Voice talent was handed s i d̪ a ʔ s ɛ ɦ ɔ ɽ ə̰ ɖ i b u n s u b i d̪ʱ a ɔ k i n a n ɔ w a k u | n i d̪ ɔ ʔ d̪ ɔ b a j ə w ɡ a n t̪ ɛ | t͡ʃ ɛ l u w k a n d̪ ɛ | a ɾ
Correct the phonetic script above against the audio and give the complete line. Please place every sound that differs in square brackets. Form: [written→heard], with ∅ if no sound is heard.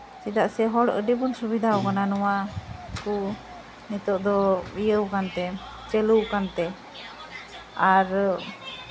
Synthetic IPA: s i d̪ a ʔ s ɛ ɦ ɔ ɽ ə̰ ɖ i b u n s u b i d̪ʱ a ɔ k [i→a] n a n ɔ w a k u | n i [d̪→t̪] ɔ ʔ d̪ ɔ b [a→i] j ə w [ɡ→k] a n t̪ ɛ | t͡ʃ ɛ l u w k a n [d̪→t̪] ɛ | a ɾ